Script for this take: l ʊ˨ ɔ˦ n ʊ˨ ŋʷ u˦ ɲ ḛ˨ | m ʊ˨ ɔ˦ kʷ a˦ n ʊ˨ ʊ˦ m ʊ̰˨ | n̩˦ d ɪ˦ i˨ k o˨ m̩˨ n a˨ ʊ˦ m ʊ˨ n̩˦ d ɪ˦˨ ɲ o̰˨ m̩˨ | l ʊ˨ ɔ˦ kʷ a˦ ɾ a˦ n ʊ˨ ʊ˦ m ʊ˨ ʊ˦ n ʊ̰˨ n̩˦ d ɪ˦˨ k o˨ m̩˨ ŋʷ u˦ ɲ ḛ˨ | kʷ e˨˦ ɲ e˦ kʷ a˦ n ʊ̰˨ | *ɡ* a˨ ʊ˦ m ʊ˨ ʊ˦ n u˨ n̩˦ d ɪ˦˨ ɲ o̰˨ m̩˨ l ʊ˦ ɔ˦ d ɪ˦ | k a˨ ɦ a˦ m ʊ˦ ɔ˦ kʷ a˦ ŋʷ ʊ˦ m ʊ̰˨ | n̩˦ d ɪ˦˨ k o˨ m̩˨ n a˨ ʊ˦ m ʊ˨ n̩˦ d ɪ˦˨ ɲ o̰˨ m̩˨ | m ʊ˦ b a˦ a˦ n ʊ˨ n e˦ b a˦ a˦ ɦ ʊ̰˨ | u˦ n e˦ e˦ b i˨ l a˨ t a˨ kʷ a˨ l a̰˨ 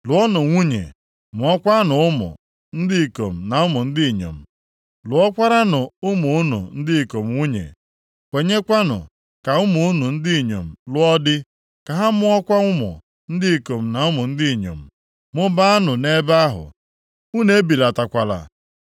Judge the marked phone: incorrect: k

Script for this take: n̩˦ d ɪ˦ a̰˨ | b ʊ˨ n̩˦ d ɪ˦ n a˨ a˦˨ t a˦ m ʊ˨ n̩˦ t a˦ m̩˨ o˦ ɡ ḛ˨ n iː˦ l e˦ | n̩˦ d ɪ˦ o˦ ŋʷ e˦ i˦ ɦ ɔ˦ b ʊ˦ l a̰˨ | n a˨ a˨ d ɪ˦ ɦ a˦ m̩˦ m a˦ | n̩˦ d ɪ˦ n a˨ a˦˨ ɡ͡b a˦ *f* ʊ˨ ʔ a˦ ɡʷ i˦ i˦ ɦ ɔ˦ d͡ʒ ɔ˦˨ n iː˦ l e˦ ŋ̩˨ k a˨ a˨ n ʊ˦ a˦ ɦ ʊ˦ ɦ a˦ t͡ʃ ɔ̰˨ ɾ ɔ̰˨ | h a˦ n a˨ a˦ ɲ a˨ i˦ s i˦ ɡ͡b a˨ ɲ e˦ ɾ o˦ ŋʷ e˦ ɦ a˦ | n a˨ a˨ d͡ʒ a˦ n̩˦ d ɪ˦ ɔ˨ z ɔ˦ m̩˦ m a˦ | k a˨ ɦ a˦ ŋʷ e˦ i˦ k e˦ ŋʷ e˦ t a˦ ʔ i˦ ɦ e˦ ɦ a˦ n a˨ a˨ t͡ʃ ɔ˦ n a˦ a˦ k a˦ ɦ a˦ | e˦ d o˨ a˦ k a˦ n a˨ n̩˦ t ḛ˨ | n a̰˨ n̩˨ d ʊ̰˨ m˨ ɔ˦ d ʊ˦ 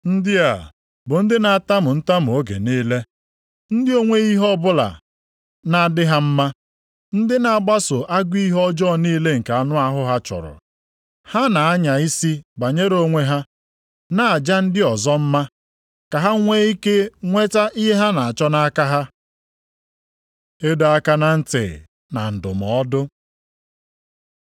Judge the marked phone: incorrect: s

